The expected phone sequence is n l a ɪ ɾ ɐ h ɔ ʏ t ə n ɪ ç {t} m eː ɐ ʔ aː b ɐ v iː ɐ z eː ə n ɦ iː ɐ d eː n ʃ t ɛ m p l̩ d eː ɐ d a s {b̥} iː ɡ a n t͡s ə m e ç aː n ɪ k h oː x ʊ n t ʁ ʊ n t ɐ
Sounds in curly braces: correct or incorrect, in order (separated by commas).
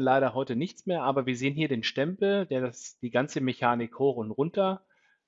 incorrect, incorrect